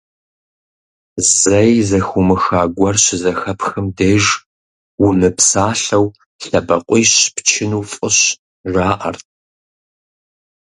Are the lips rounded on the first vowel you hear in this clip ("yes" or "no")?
no